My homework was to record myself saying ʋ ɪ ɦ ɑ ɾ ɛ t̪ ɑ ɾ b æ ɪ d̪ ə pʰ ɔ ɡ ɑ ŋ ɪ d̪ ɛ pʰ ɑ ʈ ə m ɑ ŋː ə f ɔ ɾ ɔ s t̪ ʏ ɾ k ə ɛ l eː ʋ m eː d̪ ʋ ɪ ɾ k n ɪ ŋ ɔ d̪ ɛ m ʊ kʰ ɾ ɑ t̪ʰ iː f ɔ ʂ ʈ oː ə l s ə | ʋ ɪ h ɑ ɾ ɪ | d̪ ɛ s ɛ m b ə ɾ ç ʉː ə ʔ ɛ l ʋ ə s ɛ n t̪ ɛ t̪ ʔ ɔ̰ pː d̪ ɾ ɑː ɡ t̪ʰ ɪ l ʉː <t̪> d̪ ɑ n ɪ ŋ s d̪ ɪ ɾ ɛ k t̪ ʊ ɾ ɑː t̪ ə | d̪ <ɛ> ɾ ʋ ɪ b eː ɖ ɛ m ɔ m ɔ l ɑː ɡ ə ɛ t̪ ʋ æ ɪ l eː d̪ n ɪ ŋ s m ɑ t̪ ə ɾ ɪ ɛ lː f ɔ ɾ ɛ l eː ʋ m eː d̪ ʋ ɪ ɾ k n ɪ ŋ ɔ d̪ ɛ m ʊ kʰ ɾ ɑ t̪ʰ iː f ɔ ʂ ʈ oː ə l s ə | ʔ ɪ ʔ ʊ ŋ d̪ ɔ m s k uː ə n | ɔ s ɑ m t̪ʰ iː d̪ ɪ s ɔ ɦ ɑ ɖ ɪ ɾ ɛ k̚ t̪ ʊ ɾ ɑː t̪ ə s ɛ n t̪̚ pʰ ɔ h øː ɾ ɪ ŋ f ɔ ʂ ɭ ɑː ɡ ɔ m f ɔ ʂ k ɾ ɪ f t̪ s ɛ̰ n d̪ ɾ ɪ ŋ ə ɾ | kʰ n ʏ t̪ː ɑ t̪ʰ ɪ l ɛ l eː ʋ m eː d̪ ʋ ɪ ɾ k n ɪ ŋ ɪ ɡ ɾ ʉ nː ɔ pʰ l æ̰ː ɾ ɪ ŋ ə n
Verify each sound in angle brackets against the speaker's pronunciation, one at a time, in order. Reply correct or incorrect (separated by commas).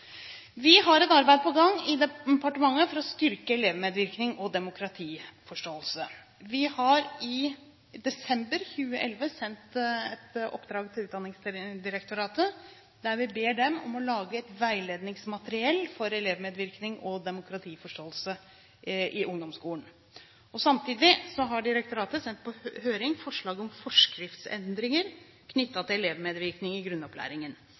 correct, incorrect